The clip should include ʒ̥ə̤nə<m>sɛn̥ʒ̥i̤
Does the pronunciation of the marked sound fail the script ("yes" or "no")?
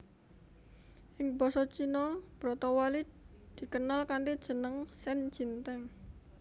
yes